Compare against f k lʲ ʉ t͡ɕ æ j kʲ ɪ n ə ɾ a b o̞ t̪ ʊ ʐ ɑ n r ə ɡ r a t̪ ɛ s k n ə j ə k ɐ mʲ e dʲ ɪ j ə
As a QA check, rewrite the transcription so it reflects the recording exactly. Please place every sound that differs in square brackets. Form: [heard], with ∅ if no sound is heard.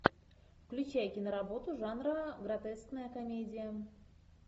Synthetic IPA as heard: f k lʲ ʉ t͡ɕ æ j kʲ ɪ n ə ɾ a b o̞ t̪ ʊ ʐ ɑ n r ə ɡ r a t̪ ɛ s k n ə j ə k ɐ mʲ e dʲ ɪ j ə